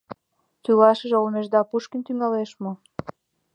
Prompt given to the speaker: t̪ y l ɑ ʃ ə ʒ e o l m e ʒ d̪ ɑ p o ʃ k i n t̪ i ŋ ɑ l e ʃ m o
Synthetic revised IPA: t̪ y l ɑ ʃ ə ʒ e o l m e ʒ d̪ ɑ p u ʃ k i n t̪ y ŋ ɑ l e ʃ m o